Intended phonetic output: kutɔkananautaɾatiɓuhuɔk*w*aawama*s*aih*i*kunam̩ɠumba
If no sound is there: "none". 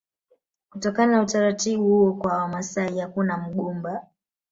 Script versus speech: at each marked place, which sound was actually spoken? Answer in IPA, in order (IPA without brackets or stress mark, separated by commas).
w, s, a